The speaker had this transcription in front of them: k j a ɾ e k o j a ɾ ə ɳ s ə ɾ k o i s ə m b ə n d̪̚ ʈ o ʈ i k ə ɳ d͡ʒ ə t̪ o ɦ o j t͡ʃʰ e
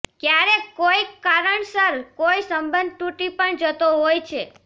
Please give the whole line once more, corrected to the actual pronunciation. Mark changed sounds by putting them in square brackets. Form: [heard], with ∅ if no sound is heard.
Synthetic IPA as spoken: k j a ɾ e k o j a ɾ ə ɳ s ə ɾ k o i s ə m b ə n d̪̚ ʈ [u] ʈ i [p] ə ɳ d͡ʒ ə t̪ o ɦ o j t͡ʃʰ e